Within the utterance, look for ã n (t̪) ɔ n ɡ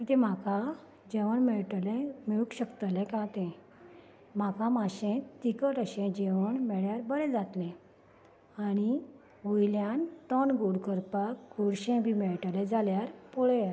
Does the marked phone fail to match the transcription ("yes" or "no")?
no